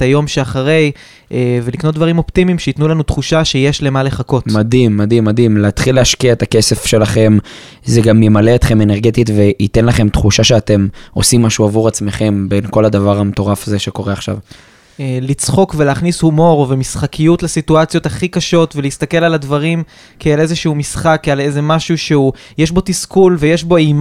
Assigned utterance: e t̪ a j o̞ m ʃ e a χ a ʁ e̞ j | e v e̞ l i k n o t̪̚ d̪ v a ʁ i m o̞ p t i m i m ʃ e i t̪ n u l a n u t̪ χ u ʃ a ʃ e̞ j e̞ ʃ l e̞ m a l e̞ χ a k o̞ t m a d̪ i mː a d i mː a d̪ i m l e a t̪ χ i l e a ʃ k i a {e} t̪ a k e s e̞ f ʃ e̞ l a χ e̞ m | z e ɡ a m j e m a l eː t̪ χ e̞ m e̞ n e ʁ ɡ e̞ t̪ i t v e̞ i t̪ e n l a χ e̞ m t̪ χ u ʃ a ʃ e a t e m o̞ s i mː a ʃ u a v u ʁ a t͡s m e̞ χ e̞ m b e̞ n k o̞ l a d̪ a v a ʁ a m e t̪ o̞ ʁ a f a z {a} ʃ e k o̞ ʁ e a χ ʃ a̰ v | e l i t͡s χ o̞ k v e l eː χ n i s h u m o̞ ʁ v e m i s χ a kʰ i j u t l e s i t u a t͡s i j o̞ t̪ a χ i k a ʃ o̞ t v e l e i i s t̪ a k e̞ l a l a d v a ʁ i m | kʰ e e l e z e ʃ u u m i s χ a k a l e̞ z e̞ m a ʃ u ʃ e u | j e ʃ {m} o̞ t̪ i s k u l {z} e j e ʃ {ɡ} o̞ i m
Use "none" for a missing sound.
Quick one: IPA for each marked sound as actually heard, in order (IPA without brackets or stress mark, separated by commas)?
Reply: e, e, b, v, b